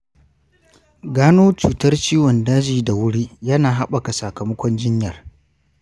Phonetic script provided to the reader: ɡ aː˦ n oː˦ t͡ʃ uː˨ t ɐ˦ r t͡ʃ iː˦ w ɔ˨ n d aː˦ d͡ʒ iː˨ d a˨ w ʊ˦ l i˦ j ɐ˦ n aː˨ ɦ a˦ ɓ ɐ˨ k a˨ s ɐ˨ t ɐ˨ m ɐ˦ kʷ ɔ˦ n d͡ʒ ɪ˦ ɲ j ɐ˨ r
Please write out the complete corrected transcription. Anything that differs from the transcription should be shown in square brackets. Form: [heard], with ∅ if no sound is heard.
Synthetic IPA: ɡ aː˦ n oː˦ t͡ʃ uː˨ t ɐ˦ r t͡ʃ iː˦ w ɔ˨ n d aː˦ d͡ʒ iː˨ d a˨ w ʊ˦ [ɽ] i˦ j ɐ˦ n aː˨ ɦ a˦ ɓ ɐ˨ k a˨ s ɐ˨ [k] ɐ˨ m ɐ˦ kʷ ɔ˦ n d͡ʒ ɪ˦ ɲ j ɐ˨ r